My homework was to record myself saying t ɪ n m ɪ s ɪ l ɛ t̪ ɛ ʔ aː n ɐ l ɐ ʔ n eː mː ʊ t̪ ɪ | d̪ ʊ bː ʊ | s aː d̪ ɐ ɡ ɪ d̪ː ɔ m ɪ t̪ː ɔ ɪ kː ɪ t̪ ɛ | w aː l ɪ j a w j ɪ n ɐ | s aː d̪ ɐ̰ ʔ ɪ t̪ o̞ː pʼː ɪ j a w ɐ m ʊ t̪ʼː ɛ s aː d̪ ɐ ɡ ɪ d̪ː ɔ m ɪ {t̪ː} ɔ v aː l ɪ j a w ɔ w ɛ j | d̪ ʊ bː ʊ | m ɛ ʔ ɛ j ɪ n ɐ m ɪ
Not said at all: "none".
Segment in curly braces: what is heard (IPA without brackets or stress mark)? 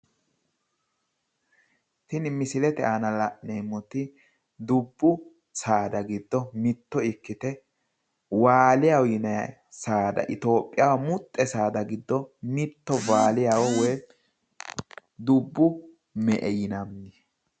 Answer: t̪ː